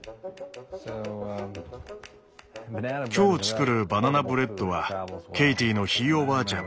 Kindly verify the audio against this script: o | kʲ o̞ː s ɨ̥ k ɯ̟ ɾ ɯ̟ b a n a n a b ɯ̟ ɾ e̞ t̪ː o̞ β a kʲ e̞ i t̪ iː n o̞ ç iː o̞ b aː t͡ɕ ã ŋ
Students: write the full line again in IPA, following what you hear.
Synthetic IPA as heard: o | kʲ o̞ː t͡s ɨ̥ k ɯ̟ ɾ ɯ̟ b a n a n a b ɯ̟ ɾ e̞ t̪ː o̞ β a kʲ e̞ i t̪ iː n o̞ ç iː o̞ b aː t͡ɕ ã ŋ

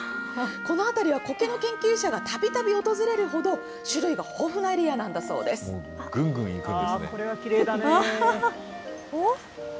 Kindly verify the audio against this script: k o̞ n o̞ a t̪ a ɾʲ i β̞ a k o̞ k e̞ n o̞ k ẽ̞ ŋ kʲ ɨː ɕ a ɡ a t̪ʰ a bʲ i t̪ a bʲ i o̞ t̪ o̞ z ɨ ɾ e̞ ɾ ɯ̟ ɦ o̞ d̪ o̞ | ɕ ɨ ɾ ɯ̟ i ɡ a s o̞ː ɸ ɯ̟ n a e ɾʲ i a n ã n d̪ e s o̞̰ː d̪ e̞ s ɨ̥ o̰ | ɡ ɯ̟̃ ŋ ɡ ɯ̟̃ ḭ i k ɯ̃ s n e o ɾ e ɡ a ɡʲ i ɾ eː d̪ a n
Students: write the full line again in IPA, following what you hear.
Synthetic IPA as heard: k o̞ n o̞ a t̪ a ɾʲ i β̞ a k o̞ k e̞ n o̞ k ẽ̞ ŋ kʲ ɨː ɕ a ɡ a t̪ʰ a bʲ i t̪ a bʲ i o̞ t̪ o̞ z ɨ ɾ e̞ ɾ ɯ̟ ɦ o̞ d̪ o̞ | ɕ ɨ ɾ ɯ̟ i ɡ a h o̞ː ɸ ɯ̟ n a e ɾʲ i a n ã n d̪ a s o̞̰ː d̪ e̞ s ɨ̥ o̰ | ɡ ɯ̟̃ ŋ ɡ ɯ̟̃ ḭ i k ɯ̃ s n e o ɾ e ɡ a kʲ i ɾ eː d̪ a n

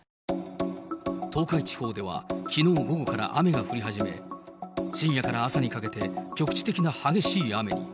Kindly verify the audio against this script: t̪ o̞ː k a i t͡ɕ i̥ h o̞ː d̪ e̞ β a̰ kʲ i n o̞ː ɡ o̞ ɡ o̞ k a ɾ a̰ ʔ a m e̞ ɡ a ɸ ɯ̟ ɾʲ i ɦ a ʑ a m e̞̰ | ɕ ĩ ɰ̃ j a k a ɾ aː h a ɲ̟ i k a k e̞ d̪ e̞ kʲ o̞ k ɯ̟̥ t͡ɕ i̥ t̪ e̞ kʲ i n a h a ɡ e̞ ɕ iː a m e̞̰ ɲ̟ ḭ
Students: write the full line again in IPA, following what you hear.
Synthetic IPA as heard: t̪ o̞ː k a i t͡ɕ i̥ h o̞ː d̪ e̞ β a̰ kʲ i n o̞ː ɡ o̞ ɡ o̞ k a ɾ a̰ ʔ a m e̞ ɡ a ɸ ɯ̟ ɾʲ i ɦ a ʑ i m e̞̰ | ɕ ĩ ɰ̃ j a k a ɾ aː s a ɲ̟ i k a k e̞ t̪ e̞ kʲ o̞ k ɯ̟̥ t͡ɕ i̥ t̪ e̞ kʲ i n a h a ɡ e̞ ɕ iː a m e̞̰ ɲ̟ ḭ

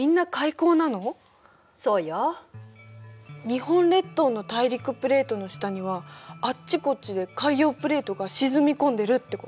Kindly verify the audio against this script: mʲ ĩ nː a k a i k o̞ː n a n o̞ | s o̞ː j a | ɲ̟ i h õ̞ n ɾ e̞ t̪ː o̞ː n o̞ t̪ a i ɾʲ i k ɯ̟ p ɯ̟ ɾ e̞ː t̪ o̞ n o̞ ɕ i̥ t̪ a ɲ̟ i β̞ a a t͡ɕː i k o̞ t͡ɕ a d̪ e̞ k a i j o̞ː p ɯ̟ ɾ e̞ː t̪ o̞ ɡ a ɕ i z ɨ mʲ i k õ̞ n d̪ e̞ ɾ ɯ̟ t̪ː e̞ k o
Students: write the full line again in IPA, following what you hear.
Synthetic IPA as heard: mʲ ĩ nː a k a i k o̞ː n a n o̞ | s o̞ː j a | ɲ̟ i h õ̞ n ɾ e̞ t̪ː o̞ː n o̞ t̪ a i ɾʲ i k ɯ̟ p ɯ̟ ɾ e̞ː t̪ o̞ n o̞ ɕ i̥ t̪ a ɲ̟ i β̞ a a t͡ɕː i k o̞ t͡ɕ i d̪ e̞ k a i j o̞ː p ɯ̟ ɾ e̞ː t̪ o̞ ɡ a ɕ i z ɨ mʲ i k õ̞ n d̪ e̞ ɾ ɯ̟ t̪ː e̞ k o

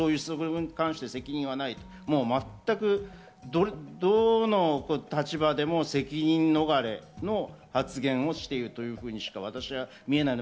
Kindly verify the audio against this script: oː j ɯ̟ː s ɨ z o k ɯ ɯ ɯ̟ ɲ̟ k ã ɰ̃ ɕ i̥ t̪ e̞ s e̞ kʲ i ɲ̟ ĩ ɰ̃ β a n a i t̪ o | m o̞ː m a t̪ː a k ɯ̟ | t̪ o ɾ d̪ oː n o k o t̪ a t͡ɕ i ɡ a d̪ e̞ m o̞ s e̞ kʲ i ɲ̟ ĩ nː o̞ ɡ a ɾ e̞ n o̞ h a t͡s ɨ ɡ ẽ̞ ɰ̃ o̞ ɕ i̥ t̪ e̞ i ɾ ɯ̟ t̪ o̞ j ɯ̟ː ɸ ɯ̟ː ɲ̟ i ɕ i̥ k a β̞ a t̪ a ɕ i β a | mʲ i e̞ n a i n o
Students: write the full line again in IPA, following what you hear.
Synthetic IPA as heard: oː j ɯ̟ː s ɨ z o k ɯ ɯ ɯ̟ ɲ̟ k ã ɰ̃ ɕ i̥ t̪ e̞ s e̞ kʲ i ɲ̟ ĩ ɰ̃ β a n a i t̪ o | m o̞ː m a t̪ː a k ɯ̟ | d̪ o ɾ d̪ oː n o k o t̪ a t͡ɕ i b a d̪ e̞ m o̞ s e̞ kʲ i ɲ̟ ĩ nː o̞ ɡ a ɾ e̞ n o̞ h a t͡s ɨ ɡ ẽ̞ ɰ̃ o̞ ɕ i̥ t̪ e̞ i ɾ ɯ̟ t̪ o̞ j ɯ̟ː ɸ ɯ̟ː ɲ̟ i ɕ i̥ k a β̞ a t̪ a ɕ i β a | mʲ i e̞ n a i n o

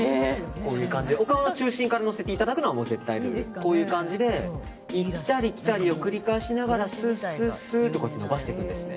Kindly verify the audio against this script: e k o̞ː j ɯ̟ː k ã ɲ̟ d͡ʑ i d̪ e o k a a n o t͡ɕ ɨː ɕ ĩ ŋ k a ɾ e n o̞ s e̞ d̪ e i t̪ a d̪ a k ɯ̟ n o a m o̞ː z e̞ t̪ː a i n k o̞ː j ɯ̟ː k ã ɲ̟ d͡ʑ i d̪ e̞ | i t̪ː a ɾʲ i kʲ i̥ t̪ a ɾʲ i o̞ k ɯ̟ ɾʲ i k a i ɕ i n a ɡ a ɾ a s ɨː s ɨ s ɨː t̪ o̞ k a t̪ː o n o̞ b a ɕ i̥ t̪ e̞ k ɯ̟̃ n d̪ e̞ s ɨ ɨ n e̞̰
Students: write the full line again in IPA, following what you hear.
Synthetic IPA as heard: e k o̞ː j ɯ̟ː k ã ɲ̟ d͡ʑ i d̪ e o k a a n o t͡ɕ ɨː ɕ ĩ ŋ k a ɾ a n o̞ s e̞ t̪ e i t̪ a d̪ a k ɯ̟ n o a m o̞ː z e̞ t̪ː a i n k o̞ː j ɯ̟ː k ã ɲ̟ d͡ʑ i d̪ e̞ | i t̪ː a ɾʲ i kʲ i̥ t̪ a ɾʲ i o̞ k ɯ̟ ɾʲ i k a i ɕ i n a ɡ a ɾ a s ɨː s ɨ s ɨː t̪ o̞ k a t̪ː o n o̞ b a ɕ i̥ t̪ e̞ k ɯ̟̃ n d̪ e̞ s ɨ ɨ n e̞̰

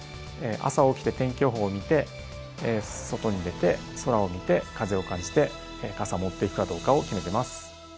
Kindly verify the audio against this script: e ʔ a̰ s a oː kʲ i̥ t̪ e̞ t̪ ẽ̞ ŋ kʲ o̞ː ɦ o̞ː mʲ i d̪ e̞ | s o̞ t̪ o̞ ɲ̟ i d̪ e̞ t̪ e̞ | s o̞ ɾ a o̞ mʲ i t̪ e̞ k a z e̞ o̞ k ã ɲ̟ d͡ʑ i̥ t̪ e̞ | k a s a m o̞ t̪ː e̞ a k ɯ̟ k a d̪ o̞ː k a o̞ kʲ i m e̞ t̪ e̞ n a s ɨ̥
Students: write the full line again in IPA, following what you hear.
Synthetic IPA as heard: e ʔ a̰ s a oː kʲ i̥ t̪ e̞ t̪ ẽ̞ ŋ kʲ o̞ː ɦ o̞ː mʲ i t̪ e̞ | s o̞ t̪ o̞ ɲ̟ i d̪ e̞ t̪ e̞ | s o̞ ɾ a o̞ mʲ i t̪ e̞ k a z e̞ o̞ k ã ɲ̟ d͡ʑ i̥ t̪ e̞ | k a s a m o̞ t̪ː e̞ i k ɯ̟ k a d̪ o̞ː k a o̞ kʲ i m e̞ t̪ e̞ m a s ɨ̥

